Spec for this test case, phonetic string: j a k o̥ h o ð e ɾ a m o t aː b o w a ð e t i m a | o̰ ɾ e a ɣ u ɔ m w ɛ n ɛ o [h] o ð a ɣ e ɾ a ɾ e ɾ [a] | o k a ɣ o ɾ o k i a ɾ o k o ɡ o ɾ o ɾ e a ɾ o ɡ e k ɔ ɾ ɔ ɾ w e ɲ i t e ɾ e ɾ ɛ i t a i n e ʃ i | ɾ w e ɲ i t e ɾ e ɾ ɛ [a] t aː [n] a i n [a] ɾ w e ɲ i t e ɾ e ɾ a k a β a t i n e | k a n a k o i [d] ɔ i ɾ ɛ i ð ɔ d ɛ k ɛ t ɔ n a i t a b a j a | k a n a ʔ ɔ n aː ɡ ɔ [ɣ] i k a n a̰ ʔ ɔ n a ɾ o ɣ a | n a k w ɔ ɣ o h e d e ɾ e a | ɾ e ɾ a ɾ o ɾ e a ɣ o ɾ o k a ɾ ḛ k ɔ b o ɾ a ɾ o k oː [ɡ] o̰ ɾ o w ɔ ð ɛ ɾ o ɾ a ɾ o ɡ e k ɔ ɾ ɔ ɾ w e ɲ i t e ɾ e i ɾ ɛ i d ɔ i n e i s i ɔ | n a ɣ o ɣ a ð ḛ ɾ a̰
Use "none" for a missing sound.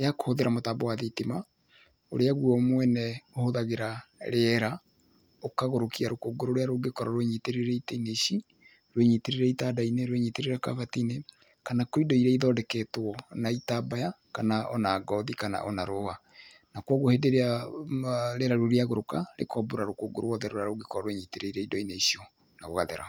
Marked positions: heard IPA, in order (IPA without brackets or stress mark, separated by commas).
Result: h, a, i, d, e, d, ð, ɡ